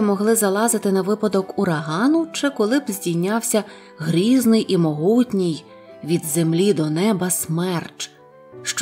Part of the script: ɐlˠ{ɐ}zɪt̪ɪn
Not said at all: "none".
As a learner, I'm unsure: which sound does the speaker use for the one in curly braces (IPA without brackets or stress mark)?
ɑ